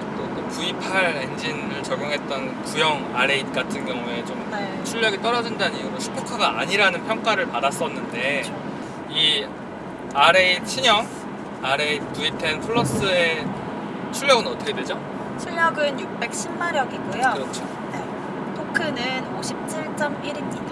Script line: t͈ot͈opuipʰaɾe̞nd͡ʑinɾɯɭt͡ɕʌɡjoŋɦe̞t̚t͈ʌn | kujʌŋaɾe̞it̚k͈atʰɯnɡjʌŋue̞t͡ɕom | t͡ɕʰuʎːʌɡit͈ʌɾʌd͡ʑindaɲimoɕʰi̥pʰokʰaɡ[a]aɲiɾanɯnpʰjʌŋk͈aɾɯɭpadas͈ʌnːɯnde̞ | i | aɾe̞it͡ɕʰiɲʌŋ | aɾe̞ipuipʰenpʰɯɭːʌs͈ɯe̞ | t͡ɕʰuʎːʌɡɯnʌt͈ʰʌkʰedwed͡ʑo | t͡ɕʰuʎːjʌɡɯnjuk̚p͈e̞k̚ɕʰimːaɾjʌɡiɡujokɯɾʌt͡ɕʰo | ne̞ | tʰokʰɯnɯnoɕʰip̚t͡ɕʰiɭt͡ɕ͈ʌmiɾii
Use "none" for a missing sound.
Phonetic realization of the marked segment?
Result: a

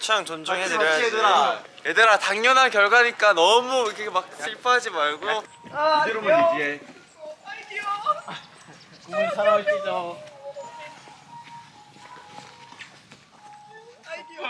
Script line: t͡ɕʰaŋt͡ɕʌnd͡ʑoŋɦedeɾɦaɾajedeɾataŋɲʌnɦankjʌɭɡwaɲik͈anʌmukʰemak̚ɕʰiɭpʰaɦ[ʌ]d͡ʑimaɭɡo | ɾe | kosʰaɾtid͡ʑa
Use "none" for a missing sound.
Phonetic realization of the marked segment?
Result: a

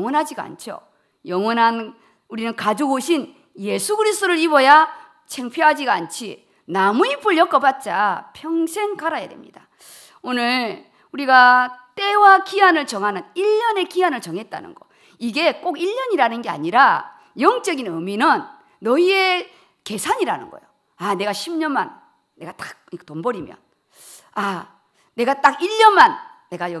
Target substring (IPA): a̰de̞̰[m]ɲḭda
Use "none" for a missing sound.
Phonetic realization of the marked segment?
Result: m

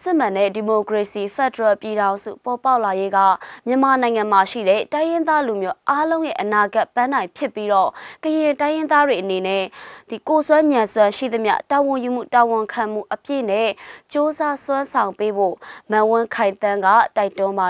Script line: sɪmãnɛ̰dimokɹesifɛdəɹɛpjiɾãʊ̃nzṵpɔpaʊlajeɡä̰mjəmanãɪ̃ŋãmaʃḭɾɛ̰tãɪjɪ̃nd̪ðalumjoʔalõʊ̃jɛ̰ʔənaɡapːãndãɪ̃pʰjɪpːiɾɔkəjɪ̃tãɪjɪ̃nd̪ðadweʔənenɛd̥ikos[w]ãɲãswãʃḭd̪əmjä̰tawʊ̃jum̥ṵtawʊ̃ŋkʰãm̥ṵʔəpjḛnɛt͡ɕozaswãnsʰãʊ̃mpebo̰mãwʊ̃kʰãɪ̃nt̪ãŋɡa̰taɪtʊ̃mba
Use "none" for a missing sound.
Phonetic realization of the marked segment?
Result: w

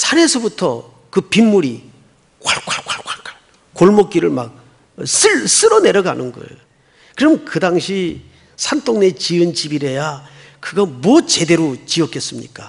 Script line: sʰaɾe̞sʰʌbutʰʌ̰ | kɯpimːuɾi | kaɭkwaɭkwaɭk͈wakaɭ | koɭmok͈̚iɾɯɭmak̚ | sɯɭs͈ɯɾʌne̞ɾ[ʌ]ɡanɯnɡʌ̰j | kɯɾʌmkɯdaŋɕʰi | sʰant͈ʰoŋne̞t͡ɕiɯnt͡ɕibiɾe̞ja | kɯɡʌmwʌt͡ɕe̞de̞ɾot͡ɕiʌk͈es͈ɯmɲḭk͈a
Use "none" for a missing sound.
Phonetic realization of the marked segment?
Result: ʌ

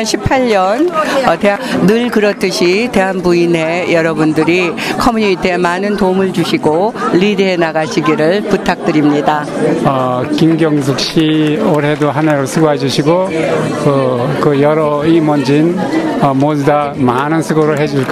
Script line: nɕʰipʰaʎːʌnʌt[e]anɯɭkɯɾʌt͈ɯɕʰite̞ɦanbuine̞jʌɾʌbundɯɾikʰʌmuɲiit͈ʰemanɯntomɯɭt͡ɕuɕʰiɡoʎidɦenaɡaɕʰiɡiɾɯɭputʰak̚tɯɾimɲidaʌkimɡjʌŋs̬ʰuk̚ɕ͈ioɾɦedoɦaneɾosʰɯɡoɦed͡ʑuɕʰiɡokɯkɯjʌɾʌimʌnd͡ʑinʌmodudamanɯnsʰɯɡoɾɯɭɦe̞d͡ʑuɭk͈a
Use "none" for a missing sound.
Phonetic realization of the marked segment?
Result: e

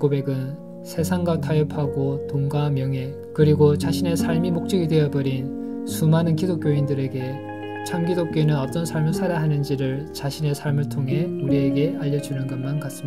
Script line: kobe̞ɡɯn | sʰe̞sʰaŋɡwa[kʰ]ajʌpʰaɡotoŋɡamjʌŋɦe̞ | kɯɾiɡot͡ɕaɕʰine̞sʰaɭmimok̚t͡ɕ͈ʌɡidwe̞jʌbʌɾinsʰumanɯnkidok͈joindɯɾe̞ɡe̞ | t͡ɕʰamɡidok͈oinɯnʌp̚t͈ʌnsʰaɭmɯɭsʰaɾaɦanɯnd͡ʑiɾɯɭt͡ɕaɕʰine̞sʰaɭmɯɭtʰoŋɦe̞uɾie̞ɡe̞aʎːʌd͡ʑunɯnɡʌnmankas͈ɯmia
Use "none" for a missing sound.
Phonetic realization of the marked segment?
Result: tʰ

